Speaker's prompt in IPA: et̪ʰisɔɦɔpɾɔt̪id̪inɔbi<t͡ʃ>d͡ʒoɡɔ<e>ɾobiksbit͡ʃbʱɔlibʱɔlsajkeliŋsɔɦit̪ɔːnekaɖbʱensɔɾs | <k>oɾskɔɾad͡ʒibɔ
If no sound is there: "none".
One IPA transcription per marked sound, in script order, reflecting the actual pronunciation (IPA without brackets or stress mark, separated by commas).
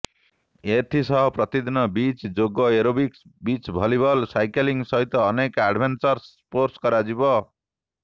t͡ʃ, e, p